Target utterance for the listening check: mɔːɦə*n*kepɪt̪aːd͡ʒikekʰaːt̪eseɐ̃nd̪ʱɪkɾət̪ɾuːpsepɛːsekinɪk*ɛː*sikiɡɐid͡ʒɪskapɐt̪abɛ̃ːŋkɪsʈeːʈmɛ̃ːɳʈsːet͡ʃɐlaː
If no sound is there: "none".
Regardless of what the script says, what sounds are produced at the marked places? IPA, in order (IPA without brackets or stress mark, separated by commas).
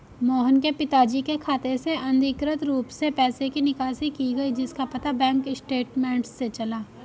n, aː